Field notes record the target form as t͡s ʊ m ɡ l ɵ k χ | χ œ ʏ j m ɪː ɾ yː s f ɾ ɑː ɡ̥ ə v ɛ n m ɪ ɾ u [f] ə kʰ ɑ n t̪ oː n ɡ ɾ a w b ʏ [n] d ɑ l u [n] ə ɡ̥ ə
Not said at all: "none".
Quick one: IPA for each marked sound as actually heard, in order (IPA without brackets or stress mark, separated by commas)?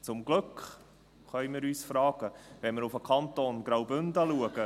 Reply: f, n, none